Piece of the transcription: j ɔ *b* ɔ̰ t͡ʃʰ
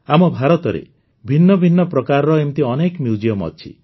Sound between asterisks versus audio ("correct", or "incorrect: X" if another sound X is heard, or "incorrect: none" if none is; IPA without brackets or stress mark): incorrect: m